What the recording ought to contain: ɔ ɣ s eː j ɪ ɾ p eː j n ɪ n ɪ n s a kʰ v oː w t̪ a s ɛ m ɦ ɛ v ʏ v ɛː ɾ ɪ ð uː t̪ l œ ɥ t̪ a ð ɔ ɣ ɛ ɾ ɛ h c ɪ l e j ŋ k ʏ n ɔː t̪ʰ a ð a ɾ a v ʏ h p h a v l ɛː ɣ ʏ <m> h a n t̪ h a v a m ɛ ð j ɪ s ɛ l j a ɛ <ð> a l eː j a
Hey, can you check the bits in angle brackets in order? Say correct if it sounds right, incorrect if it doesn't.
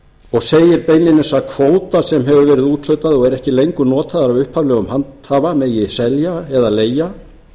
correct, correct

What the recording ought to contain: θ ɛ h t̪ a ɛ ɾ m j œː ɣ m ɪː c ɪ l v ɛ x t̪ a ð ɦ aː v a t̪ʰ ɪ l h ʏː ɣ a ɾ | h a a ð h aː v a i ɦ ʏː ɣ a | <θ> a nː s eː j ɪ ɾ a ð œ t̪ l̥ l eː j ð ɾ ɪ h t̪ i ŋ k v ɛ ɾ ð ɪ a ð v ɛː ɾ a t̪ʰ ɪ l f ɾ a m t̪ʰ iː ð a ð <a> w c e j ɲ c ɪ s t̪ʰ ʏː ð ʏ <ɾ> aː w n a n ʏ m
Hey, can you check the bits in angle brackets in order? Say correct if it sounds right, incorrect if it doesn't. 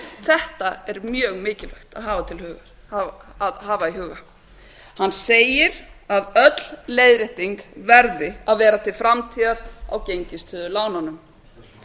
incorrect, correct, incorrect

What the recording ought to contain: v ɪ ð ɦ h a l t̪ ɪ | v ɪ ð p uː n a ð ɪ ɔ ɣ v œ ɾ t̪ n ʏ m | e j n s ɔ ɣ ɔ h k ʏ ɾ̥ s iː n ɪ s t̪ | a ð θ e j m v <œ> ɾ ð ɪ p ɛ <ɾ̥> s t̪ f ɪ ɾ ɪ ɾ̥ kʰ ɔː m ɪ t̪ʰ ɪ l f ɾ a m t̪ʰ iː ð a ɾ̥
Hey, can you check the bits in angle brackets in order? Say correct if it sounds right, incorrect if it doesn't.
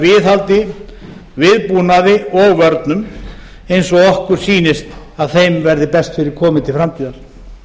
incorrect, incorrect

